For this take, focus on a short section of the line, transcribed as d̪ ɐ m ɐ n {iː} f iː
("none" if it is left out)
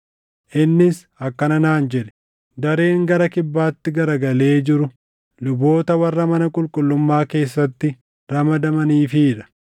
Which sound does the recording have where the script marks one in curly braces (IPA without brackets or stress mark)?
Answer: iː